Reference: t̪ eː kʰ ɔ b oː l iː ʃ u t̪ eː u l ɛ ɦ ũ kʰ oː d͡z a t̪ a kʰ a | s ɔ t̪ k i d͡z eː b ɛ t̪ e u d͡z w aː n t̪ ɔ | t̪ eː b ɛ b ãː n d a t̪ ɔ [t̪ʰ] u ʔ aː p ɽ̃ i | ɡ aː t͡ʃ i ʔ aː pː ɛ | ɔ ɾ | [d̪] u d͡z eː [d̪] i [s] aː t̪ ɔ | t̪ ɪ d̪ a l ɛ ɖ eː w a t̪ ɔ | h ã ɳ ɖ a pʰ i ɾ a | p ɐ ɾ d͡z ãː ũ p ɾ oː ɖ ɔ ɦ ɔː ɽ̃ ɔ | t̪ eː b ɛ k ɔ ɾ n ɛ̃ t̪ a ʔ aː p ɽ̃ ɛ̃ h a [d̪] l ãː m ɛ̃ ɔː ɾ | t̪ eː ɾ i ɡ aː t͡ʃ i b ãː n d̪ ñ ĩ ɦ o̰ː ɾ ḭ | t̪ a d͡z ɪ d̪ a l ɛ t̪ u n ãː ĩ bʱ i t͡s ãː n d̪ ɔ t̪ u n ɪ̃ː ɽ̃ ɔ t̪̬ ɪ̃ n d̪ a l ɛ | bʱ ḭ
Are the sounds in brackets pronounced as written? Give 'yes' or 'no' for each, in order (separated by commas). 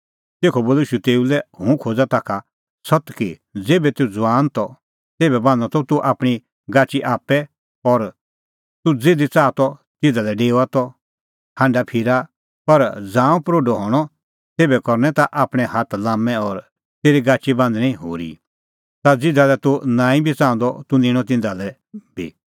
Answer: no, no, yes, no, no